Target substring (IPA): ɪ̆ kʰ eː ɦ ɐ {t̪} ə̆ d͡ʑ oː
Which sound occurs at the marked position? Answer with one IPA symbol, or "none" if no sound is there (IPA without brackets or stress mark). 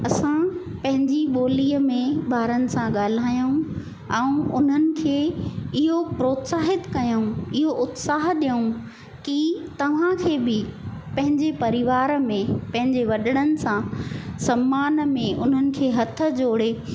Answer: t̪ʰ